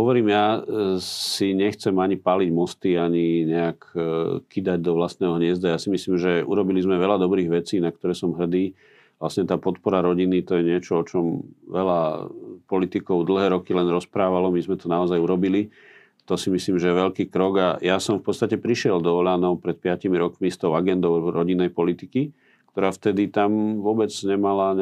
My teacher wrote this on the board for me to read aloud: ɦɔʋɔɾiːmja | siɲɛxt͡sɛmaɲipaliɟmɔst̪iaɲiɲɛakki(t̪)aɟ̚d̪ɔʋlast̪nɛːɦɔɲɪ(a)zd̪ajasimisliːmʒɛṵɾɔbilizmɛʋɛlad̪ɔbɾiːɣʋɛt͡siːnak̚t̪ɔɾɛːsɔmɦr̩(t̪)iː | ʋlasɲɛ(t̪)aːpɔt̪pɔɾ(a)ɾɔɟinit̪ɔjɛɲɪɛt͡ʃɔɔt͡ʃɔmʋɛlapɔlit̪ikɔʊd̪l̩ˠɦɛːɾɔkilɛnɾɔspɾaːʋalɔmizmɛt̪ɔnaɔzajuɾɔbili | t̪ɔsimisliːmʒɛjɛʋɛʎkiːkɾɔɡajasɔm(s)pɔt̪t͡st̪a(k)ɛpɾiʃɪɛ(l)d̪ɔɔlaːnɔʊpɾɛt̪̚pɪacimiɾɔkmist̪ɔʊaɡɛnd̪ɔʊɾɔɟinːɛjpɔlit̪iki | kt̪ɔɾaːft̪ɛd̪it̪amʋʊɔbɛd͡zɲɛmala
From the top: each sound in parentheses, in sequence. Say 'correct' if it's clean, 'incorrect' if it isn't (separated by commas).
incorrect, incorrect, incorrect, correct, correct, incorrect, incorrect, correct